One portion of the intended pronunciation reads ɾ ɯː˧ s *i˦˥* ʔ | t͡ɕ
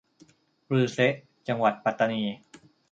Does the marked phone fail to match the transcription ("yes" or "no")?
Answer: yes